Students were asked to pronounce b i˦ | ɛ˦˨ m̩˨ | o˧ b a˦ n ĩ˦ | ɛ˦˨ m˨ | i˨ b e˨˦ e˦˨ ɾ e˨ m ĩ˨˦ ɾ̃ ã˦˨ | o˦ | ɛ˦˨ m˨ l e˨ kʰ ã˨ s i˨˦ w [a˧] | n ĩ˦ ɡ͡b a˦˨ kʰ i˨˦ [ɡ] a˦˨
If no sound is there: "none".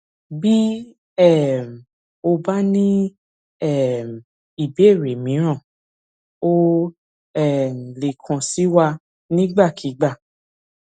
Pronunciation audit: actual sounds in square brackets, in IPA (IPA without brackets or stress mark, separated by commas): a˧, ɡ͡b